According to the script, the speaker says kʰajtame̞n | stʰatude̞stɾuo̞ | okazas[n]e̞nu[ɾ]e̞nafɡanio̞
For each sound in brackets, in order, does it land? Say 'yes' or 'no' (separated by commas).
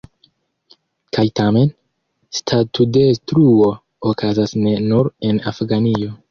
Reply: yes, yes